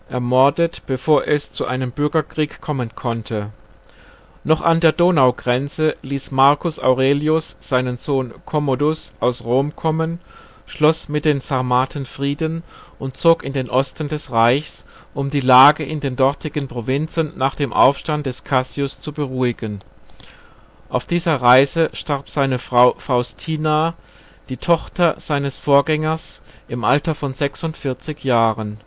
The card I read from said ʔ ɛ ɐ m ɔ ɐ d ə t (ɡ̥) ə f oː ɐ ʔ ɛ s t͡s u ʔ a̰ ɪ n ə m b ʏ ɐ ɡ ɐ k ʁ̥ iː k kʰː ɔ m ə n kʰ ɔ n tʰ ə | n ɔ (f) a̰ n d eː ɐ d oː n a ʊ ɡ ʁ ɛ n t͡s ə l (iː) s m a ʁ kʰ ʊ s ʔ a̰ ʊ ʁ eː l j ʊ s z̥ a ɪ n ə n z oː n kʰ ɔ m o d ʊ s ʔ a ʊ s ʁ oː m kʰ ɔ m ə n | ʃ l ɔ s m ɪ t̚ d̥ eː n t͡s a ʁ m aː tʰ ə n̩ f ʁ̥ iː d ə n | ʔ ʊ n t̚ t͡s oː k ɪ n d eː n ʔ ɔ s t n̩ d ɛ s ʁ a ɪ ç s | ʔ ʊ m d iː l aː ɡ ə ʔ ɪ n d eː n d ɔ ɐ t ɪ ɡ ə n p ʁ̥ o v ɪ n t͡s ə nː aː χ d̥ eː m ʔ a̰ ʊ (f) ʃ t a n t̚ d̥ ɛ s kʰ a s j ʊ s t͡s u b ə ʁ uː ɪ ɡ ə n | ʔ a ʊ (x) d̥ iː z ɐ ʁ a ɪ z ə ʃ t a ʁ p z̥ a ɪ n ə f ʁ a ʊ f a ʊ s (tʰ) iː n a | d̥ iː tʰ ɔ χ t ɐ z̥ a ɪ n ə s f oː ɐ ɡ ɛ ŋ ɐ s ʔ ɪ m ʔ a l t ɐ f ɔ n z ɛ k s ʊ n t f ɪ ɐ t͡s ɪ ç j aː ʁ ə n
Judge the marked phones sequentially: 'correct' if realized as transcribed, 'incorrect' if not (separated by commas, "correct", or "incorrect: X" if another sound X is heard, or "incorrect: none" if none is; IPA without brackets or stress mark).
incorrect: b̥, incorrect: χ, correct, correct, incorrect: f, correct